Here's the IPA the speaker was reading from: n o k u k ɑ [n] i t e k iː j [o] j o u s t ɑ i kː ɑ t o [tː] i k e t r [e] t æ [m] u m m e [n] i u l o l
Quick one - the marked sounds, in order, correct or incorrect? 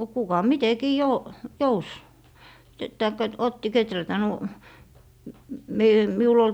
incorrect: m, correct, correct, incorrect: æ, incorrect: n, incorrect: m

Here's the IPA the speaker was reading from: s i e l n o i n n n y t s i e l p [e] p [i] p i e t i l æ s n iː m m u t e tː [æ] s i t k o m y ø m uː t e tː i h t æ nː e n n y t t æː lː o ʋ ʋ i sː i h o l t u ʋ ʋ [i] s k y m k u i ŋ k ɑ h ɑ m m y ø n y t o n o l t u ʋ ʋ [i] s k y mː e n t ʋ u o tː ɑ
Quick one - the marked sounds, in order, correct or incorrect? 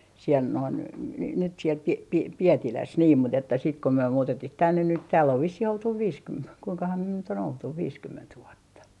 incorrect: i, correct, correct, incorrect: iː, incorrect: iː

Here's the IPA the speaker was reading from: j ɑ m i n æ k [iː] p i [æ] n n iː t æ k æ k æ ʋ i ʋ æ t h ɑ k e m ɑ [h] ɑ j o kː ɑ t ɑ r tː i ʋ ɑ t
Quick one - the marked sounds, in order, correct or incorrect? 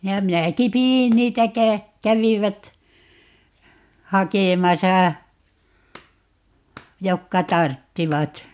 incorrect: i, incorrect: i, incorrect: s

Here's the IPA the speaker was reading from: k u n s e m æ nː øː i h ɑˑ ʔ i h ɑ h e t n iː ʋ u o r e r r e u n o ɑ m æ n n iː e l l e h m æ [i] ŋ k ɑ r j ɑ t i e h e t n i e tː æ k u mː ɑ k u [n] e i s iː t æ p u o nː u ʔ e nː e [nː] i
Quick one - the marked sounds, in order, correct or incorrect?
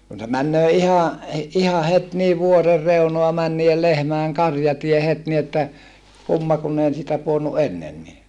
incorrect: e, incorrect: nː, correct

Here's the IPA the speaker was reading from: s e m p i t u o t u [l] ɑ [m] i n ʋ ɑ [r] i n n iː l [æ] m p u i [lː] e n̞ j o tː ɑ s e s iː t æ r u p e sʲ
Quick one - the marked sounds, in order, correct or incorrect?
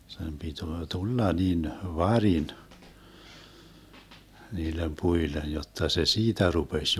incorrect: lː, incorrect: n, correct, incorrect: e, incorrect: l

